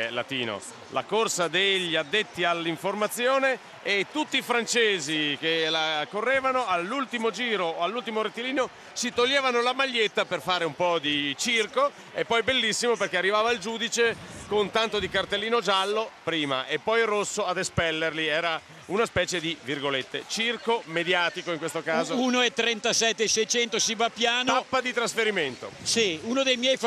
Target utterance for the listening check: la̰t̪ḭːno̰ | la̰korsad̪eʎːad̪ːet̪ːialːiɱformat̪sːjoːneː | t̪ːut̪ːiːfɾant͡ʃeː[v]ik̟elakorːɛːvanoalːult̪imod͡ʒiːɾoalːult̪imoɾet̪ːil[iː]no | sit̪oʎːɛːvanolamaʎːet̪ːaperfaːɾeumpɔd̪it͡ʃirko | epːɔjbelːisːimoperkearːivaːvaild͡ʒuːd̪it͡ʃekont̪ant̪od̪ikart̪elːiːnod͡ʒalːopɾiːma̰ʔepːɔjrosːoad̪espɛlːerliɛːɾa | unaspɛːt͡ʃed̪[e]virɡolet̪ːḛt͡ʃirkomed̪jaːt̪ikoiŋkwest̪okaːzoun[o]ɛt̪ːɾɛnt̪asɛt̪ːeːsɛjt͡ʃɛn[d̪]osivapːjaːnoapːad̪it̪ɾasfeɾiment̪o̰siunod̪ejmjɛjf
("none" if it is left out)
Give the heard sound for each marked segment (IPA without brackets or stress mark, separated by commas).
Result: z, iː, i, o, t̪